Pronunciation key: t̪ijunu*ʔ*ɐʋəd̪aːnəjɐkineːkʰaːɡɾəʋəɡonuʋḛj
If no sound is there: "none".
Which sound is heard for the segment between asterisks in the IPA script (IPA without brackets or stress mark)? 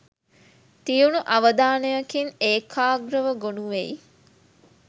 ʔ